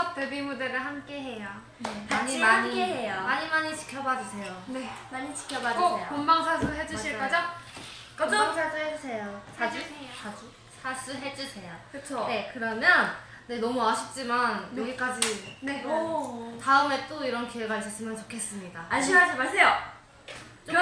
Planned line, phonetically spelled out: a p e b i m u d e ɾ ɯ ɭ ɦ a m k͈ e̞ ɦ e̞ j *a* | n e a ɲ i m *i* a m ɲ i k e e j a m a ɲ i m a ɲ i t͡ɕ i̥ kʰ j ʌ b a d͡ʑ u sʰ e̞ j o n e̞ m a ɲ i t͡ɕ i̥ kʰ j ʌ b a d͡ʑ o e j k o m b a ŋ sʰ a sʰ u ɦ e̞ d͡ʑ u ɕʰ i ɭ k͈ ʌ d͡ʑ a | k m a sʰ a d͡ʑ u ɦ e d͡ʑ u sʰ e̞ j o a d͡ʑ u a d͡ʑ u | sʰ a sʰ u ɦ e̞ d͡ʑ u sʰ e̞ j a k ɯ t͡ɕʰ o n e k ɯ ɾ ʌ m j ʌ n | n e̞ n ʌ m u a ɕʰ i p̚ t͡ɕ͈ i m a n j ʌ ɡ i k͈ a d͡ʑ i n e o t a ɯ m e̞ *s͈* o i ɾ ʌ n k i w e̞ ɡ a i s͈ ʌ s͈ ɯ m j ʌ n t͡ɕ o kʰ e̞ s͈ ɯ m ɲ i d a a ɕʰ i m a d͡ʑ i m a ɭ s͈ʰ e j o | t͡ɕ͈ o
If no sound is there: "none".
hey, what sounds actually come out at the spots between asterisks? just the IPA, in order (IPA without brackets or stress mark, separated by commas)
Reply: a, a, t͈